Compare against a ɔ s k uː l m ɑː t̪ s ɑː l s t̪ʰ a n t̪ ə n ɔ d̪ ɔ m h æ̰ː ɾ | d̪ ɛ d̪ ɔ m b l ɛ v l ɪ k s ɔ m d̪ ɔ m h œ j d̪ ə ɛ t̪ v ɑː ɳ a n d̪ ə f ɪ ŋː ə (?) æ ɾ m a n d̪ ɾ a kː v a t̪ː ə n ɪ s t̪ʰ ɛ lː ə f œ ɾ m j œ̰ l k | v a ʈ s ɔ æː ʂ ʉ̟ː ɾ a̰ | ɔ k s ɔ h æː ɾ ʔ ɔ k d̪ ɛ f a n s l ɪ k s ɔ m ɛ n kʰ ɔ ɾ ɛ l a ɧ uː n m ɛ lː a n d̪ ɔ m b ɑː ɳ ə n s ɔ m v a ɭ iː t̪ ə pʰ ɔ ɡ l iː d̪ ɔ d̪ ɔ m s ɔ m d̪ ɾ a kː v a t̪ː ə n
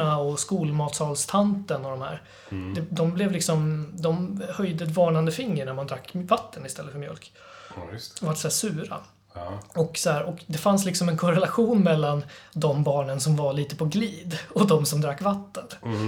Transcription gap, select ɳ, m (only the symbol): ɳ